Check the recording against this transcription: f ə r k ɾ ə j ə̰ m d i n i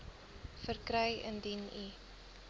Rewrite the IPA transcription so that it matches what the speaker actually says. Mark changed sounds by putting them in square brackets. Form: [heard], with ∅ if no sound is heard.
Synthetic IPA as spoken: f ə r k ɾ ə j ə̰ [n] d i n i